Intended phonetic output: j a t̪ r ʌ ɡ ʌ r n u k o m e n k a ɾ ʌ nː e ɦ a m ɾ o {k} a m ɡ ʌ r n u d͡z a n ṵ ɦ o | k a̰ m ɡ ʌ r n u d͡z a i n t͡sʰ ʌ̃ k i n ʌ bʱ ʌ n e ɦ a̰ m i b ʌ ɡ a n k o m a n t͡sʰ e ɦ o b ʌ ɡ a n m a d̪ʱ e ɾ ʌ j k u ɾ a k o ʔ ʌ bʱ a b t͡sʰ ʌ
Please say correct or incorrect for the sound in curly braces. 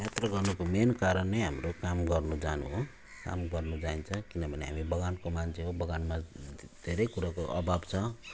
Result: correct